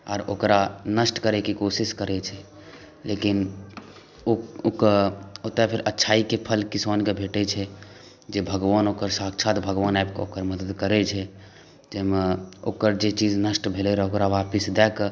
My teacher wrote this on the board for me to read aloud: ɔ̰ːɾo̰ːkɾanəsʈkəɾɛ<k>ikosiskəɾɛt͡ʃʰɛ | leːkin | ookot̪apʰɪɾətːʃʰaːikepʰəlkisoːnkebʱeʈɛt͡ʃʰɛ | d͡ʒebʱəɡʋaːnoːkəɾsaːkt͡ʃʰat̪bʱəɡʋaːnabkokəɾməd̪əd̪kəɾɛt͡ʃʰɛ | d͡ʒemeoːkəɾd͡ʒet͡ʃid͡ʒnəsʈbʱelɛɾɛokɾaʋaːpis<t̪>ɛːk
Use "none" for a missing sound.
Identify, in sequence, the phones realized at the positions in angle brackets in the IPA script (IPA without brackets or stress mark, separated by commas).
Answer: k, d̪